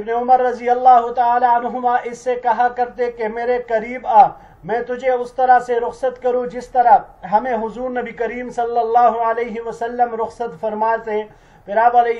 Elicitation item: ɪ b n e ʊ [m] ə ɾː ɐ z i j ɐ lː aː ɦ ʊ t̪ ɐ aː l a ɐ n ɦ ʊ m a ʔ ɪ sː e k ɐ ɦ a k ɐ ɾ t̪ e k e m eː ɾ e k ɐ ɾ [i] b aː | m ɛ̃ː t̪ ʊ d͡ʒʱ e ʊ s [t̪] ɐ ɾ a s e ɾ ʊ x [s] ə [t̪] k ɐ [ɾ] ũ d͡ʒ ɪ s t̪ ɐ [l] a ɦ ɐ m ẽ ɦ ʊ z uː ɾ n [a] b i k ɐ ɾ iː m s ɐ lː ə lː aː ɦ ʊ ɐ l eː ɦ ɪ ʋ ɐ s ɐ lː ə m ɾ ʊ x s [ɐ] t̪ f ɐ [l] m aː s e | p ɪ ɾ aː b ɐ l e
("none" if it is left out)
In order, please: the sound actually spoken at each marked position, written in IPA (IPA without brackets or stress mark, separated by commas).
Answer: m, iː, t̪, s, t̪, ɾ, ɾ, ɐ, ə, ɾ